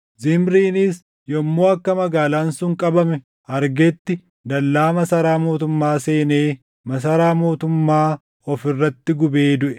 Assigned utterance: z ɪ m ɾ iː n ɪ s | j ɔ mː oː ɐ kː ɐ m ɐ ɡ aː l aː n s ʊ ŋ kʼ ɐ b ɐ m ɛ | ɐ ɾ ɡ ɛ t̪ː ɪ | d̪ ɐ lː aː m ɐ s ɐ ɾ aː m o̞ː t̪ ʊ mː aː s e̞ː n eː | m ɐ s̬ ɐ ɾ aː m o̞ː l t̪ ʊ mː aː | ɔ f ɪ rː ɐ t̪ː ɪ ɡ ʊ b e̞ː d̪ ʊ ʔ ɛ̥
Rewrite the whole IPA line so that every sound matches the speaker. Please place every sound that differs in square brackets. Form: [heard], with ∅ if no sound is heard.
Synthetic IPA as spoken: z ɪ m ɾ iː n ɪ s | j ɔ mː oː ɐ kː ɐ m ɐ ɡ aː l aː n s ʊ ŋ kʼ ɐ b ɐ m ɛ | ɐ ɾ ɡ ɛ t̪ː ɪ | d̪ ɐ lː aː m ɐ s ɐ ɾ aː m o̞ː t̪ ʊ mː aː s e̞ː n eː | m ɐ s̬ ɐ ɾ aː m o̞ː [∅] t̪ ʊ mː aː | ɔ f ɪ rː ɐ t̪ː ɪ ɡ ʊ b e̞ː d̪ ʊ ʔ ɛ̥